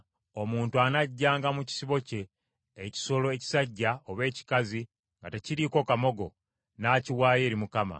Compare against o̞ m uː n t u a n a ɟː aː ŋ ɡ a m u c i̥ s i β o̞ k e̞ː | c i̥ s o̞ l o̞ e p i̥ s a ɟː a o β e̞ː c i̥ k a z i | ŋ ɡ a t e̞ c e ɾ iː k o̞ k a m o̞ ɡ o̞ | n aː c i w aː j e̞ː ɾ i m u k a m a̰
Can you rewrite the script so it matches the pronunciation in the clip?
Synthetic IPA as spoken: o̞ m uː n t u a n a ɟː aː ŋ ɡ a m u c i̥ s i β o̞ c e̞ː | c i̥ s o̞ l o̞ e c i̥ s a ɟː a o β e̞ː c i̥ k a z i | ŋ ɡ a t e̞ c i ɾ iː k o̞ k a m o̞ ɡ o̞ | n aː c i w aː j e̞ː ɾ i m u k a m a̰